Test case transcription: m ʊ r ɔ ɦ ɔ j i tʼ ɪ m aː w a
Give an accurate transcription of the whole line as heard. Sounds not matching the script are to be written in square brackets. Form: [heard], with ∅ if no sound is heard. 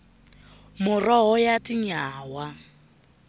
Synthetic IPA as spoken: m ʊ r ɔ ɦ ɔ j [a] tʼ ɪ [ɲ] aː w a